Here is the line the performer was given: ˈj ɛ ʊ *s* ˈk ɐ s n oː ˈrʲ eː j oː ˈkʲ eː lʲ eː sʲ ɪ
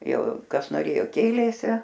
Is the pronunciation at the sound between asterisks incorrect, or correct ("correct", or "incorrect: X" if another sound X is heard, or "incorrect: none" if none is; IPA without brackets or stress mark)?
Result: incorrect: none